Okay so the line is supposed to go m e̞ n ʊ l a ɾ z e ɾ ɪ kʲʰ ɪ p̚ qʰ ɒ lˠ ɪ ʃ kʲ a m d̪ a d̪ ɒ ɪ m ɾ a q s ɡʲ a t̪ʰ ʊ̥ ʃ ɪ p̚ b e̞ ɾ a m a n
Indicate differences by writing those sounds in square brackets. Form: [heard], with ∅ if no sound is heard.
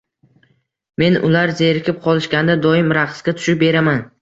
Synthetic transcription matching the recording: m e̞ n ʊ l a ɾ z e ɾ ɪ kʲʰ ɪ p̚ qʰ ɒ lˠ ɪ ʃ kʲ a [n] d̪ a d̪ ɒ ɪ m ɾ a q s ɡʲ a t̪ʰ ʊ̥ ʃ ɪ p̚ b e̞ ɾ a m a n